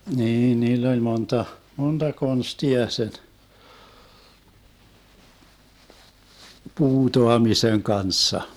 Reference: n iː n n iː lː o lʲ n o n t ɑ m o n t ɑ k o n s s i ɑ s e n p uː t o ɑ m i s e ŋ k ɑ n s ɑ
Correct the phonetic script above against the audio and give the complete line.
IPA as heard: n iː n n iː lː o lʲ m o n t ɑ m o n t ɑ k o n s t i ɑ s e n p uː t o ɑ m i s e ŋ k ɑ n sː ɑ